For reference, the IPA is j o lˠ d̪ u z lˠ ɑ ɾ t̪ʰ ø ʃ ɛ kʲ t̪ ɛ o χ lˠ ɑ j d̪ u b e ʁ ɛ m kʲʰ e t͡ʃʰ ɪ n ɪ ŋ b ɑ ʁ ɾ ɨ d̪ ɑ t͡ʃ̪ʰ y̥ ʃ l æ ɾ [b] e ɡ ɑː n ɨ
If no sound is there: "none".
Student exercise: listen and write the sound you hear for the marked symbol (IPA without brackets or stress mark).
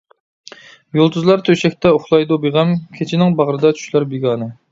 b